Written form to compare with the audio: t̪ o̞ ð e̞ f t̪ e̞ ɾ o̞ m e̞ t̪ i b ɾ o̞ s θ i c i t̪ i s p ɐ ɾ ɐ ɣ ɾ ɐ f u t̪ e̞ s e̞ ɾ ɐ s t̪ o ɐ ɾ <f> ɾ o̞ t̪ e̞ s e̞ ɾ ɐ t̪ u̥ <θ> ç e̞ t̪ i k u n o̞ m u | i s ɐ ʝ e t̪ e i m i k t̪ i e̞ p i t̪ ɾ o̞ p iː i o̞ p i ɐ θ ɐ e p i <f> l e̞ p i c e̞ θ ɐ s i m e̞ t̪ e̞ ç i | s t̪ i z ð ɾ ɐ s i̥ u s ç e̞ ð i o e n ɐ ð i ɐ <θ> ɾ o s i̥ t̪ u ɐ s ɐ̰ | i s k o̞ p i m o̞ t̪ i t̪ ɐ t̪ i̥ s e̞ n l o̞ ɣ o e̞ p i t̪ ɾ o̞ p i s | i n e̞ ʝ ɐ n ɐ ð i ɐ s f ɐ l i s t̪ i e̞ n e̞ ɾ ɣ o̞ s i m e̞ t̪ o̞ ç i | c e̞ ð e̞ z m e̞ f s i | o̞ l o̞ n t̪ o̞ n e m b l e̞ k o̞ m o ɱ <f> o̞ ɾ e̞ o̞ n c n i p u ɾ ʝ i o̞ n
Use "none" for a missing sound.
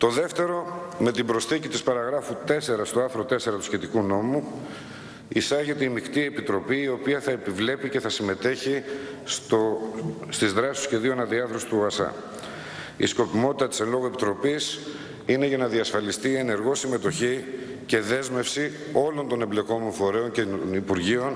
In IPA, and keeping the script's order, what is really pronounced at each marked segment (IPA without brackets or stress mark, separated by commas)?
θ, s, v, θ, f